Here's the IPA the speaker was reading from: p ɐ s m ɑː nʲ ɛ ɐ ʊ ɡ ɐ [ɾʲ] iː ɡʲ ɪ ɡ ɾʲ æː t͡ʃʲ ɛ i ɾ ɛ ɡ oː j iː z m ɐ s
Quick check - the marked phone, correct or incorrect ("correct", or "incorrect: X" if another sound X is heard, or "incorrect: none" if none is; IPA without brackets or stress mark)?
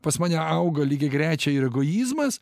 incorrect: lʲ